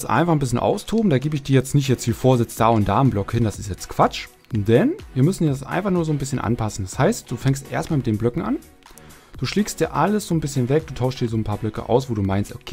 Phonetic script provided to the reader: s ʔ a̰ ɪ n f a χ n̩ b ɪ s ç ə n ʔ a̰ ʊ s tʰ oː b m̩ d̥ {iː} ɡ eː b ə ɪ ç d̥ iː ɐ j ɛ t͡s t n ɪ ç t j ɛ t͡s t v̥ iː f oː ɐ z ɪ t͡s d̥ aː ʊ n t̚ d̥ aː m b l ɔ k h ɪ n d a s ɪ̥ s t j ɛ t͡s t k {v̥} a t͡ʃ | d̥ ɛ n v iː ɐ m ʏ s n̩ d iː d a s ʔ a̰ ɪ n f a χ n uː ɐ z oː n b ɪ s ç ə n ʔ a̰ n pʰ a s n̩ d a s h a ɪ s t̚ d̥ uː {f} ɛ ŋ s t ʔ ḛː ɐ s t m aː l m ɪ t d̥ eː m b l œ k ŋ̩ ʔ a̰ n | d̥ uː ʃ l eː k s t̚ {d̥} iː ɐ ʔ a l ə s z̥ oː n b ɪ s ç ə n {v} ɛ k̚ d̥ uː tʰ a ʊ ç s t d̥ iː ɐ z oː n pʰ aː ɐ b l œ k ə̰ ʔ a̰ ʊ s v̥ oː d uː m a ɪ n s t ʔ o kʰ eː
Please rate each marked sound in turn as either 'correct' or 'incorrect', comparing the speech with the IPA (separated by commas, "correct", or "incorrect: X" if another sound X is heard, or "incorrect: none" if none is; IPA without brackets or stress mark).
incorrect: aː, correct, correct, correct, correct